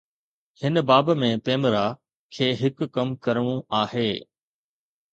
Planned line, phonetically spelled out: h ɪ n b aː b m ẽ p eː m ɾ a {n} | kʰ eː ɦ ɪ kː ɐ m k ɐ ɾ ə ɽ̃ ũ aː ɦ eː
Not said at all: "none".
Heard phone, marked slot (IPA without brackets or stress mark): none